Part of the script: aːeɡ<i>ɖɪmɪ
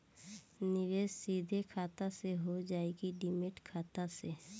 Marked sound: correct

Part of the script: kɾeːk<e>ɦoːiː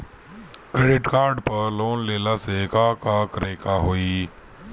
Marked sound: incorrect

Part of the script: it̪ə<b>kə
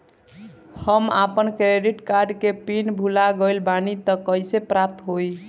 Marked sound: incorrect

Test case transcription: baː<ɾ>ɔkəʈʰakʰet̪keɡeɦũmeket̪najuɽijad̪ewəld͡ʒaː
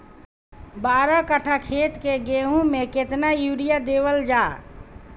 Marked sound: correct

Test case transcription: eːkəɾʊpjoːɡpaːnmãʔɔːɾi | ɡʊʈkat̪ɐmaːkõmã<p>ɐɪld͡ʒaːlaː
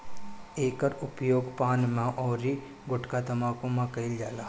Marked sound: incorrect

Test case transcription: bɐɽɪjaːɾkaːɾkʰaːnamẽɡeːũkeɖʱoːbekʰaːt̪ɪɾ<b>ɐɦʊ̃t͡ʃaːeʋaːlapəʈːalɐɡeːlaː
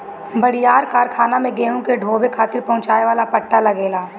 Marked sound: incorrect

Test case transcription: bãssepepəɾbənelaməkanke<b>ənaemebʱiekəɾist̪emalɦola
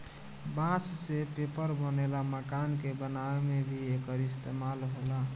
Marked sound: correct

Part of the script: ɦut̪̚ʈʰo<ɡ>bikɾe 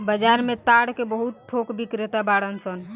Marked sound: incorrect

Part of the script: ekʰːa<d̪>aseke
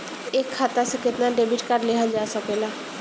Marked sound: incorrect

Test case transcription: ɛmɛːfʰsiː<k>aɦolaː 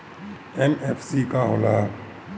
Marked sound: correct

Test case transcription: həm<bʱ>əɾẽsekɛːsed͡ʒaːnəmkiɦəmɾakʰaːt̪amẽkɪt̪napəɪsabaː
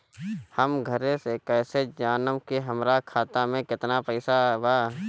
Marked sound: incorrect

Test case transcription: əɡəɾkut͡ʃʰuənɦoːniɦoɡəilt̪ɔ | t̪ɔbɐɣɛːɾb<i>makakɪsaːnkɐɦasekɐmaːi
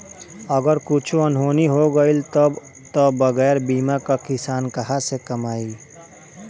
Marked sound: incorrect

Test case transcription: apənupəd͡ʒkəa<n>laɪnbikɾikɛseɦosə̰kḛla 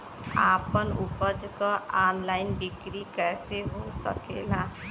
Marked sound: correct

